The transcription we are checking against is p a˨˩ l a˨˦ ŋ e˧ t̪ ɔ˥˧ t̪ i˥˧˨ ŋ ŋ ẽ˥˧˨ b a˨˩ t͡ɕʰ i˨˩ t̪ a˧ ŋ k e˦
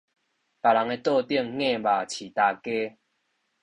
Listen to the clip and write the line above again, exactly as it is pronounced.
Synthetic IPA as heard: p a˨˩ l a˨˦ ŋ e˧ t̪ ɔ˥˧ t̪ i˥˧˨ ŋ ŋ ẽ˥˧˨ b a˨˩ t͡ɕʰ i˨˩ t̪ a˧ k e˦